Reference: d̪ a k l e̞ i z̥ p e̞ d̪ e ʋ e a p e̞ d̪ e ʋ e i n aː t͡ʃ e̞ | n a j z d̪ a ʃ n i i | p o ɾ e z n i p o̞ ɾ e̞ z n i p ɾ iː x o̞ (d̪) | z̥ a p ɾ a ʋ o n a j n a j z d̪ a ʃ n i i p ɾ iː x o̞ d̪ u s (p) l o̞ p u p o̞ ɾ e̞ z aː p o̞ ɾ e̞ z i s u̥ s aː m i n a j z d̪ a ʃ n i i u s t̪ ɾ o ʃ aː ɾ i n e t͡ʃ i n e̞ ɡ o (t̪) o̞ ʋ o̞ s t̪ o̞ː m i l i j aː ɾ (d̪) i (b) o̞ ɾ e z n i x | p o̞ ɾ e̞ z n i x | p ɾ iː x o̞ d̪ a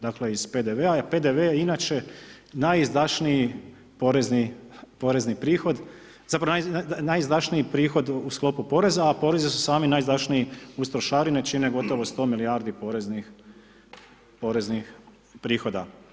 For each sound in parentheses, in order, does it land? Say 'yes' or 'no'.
yes, no, yes, yes, no

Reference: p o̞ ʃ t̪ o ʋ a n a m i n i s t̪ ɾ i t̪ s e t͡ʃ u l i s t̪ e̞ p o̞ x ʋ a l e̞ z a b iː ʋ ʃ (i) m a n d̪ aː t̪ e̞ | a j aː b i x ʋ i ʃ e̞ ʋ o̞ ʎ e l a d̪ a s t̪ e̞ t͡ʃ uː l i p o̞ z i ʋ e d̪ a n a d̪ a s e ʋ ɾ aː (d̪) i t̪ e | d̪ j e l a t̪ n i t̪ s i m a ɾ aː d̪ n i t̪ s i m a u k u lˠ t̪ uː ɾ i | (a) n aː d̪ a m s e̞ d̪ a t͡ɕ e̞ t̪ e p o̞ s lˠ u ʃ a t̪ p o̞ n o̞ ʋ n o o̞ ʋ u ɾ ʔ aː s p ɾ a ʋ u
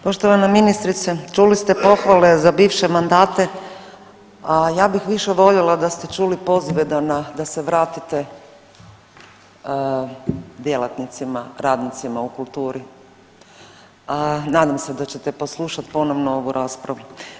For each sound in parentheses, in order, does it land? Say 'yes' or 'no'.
no, no, yes

